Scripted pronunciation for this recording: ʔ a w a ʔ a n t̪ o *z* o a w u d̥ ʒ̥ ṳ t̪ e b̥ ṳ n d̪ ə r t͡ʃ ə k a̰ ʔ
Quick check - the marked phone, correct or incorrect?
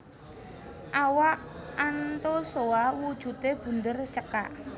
incorrect